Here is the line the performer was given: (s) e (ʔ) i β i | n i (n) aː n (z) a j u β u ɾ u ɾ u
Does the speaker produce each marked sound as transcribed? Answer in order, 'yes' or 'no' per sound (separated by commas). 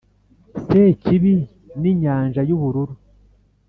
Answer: yes, no, no, no